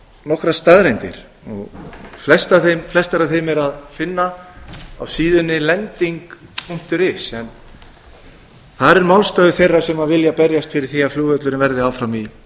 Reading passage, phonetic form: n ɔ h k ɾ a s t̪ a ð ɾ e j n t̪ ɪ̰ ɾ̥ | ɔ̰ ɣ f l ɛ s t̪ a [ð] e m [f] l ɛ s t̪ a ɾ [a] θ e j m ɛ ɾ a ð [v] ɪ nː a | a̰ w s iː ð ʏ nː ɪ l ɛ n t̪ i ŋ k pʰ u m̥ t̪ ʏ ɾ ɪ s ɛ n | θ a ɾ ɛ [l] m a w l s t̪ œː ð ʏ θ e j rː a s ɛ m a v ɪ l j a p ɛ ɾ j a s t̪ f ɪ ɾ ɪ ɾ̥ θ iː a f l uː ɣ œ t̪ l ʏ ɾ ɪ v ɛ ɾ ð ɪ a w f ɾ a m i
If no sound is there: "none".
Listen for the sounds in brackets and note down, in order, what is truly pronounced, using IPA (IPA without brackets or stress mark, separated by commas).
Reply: θ, f, a, f, ɾ